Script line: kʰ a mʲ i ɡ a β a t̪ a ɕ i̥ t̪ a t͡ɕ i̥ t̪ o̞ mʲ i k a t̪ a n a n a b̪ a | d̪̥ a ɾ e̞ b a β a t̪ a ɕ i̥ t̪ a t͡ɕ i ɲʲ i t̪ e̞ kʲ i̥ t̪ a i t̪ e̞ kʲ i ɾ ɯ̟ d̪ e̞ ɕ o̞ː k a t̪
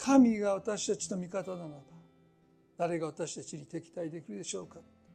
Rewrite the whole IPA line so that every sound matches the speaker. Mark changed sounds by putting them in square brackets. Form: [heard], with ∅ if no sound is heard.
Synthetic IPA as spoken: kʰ a mʲ i ɡ a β a t̪ a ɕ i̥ t̪ a t͡ɕ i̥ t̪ o̞ mʲ i k a t̪ a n a n a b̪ a | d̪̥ a ɾ e̞ [ɡ] a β a t̪ a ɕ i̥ t̪ a t͡ɕ i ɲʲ i t̪ e̞ kʲ i̥ t̪ a i [d̪] e̞ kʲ i ɾ ɯ̟ d̪ e̞ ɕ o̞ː k a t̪